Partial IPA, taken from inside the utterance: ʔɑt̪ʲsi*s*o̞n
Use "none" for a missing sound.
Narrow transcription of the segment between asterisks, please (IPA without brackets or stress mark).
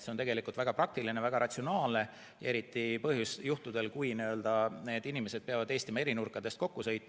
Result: none